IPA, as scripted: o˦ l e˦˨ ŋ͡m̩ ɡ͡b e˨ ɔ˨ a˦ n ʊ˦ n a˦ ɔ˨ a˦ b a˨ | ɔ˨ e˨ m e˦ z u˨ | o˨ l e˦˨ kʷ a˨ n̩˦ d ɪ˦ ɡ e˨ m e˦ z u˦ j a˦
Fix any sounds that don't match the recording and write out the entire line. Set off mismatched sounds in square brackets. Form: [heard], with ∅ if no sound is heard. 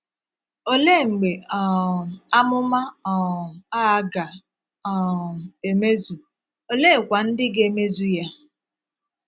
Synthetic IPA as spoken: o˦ l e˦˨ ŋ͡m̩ ɡ͡b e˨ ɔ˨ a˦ [m] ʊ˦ [m] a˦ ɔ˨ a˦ [ɡ] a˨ | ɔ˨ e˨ m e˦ z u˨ | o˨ l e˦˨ kʷ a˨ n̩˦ d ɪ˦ ɡ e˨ m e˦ z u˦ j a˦